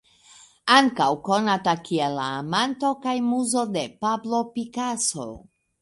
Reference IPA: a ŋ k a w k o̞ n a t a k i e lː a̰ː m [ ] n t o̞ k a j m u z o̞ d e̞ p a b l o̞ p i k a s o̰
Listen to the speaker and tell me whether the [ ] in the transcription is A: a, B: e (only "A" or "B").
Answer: A